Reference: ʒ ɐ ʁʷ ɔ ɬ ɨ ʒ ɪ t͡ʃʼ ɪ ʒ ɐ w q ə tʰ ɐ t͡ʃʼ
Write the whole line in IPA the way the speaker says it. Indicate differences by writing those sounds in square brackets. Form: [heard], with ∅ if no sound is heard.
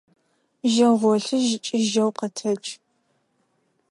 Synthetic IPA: ʒ ɐ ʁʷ ɔ ɬ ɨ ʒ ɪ t͡ʃʼ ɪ ʒ ɐ w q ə tʰ ɐ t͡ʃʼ